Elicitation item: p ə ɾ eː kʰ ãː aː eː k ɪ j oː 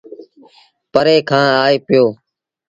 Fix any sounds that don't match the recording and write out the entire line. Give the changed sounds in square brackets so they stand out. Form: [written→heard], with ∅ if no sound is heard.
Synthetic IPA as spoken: p ə ɾ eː kʰ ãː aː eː [k→p] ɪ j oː